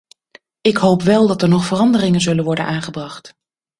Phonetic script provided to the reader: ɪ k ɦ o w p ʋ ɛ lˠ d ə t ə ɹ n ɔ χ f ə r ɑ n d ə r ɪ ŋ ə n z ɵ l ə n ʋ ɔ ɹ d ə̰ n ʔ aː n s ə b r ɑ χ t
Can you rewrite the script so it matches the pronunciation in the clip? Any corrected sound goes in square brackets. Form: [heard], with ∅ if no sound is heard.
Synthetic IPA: ɪ k ɦ o w p ʋ ɛ lˠ d [ɑ] t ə ɹ n ɔ χ f ə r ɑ n d ə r ɪ ŋ ə n z ɵ l ə n ʋ ɔ ɹ d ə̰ n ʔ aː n [χ] ə b r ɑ χ t